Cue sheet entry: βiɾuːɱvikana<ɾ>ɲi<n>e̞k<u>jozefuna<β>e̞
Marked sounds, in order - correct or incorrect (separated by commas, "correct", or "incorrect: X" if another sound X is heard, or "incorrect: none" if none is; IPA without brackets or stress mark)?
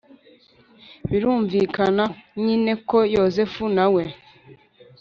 incorrect: none, correct, incorrect: o, incorrect: w